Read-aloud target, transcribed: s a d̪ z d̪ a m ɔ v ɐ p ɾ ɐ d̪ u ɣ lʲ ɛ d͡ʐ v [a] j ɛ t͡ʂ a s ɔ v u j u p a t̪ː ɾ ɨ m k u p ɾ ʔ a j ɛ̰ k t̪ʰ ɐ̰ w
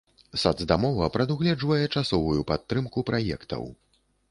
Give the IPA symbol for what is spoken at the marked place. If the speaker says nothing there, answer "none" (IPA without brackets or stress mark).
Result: ɐ